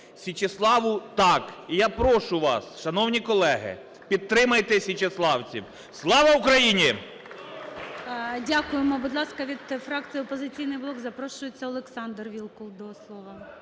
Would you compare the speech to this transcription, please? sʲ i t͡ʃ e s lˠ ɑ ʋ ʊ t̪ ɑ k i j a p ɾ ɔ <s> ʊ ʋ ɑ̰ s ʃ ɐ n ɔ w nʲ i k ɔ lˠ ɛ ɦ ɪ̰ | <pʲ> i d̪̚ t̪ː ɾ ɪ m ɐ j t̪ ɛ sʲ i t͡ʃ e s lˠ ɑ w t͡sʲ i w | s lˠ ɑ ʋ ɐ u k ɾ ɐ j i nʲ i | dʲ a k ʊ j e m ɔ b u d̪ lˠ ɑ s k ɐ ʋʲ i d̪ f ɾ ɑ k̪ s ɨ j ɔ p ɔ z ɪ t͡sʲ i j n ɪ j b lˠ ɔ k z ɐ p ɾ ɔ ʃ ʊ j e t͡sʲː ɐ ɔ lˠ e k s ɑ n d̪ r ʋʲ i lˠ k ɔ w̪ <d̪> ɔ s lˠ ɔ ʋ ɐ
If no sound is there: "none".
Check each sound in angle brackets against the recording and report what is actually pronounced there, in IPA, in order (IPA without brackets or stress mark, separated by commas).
ʃ, pʲ, d̪